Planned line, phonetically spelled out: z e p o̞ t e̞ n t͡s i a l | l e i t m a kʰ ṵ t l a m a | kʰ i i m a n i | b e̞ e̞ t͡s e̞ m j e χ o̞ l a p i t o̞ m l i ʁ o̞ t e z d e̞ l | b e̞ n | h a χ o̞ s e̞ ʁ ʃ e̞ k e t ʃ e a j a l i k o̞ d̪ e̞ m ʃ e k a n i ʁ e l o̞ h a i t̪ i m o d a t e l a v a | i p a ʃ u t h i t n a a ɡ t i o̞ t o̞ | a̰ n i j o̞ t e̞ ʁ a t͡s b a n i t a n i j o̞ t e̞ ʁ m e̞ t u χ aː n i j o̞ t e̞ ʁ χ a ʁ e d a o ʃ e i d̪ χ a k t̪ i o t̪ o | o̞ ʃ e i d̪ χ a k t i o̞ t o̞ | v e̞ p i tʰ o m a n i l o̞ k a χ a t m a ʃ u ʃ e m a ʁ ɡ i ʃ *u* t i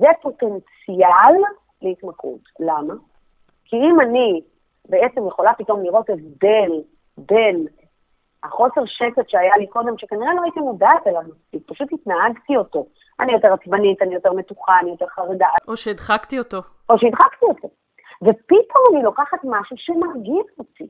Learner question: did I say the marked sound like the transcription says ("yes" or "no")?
no